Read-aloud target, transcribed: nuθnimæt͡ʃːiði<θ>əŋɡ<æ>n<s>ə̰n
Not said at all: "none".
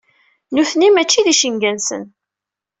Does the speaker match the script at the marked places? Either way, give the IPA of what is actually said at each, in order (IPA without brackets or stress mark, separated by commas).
ʃ, æ, s